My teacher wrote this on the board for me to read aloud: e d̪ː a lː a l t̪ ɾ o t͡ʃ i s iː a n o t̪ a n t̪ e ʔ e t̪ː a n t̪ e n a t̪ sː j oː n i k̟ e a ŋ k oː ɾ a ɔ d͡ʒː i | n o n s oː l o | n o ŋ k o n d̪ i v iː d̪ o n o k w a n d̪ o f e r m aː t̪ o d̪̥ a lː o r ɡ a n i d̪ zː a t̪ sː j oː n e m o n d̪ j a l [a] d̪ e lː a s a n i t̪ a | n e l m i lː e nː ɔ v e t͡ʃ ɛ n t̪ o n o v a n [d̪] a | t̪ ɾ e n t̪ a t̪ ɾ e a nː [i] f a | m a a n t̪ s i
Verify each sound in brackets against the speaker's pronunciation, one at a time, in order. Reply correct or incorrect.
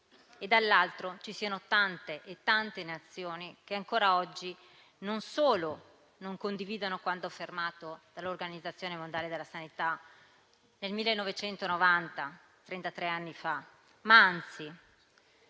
incorrect: e, incorrect: t̪, correct

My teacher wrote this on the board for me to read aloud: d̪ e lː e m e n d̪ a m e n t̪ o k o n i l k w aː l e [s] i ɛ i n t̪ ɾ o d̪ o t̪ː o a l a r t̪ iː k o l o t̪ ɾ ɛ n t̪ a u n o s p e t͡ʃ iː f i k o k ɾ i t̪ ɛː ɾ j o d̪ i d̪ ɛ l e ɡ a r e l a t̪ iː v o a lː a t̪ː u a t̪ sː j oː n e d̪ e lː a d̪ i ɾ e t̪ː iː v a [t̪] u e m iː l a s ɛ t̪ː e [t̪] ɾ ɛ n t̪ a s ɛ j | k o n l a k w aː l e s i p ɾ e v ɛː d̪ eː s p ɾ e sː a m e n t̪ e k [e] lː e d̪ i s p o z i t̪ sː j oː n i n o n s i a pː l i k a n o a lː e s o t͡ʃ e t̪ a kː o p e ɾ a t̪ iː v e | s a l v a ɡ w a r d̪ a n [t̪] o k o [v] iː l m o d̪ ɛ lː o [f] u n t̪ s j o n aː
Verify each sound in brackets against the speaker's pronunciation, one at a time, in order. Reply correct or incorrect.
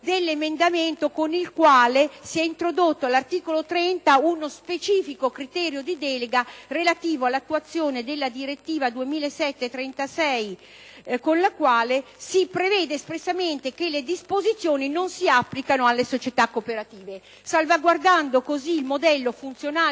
correct, incorrect: d̪, correct, correct, incorrect: d̪, incorrect: z, correct

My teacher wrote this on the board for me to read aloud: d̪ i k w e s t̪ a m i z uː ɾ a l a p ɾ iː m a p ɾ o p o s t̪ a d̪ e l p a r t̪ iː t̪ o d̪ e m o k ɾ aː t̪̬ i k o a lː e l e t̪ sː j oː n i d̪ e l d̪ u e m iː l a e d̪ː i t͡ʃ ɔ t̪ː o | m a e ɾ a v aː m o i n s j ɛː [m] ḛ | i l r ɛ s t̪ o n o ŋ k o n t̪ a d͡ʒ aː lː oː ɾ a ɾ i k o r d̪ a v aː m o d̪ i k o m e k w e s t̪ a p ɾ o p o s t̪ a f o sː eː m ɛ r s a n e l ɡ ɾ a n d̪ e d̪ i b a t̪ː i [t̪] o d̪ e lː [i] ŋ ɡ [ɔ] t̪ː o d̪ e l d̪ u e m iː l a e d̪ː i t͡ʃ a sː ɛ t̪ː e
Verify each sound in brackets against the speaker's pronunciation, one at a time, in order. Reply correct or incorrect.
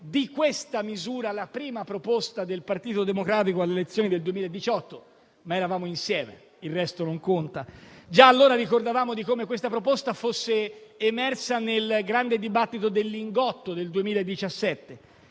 correct, correct, correct, correct

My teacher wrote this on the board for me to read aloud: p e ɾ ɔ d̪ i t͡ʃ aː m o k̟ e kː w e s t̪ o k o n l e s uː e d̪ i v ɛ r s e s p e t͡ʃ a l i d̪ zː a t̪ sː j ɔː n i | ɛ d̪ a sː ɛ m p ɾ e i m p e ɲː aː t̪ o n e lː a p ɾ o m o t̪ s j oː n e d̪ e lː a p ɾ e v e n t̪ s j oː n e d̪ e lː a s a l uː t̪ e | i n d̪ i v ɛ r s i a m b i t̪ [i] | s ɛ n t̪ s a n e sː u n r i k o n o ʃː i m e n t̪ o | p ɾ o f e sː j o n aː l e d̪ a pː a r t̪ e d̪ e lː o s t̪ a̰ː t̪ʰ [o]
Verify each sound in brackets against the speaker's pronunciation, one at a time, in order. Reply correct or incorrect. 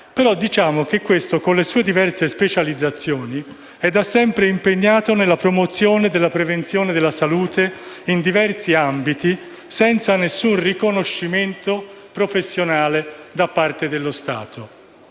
correct, correct

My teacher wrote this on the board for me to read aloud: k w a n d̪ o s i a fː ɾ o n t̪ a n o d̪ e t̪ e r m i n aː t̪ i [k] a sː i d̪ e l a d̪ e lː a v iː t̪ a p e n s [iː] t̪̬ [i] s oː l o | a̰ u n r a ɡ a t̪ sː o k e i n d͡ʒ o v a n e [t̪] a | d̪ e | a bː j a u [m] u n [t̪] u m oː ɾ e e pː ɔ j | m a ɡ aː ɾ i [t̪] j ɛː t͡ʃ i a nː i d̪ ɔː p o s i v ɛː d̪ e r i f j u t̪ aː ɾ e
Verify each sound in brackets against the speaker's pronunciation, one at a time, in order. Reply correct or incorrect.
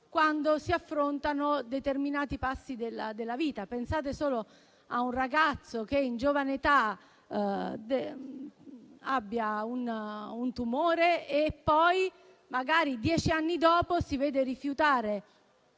incorrect: p, incorrect: aː, incorrect: e, correct, incorrect: n, correct, incorrect: d̪

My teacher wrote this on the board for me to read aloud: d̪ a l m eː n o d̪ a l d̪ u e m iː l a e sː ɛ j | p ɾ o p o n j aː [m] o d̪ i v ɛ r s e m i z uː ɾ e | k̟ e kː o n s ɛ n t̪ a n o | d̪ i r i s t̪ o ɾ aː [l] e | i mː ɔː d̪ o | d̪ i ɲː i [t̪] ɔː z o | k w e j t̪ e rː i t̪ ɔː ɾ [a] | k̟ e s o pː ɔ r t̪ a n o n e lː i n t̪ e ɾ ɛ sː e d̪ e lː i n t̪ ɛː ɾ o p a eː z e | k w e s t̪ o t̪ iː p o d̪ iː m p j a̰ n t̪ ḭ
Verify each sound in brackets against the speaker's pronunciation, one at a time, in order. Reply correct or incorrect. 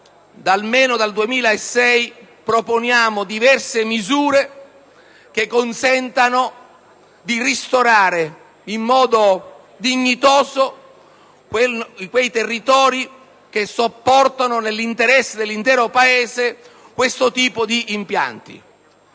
correct, incorrect: ɾ, correct, incorrect: i

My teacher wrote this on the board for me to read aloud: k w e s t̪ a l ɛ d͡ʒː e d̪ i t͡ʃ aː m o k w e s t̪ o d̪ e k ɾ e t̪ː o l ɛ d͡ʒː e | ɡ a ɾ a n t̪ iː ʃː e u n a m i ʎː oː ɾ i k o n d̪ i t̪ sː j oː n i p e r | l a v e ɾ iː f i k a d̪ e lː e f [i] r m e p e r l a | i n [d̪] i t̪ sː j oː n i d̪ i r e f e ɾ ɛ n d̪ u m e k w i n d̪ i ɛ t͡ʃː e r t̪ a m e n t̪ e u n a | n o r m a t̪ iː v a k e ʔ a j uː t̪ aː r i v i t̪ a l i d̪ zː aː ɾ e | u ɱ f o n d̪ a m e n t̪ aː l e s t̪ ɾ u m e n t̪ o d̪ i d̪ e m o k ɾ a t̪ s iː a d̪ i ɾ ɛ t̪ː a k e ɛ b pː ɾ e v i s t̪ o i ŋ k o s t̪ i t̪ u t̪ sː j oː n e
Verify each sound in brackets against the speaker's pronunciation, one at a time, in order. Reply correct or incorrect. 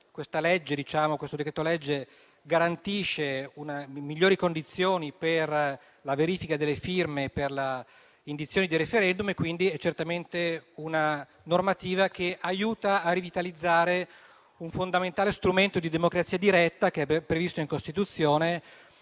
correct, correct

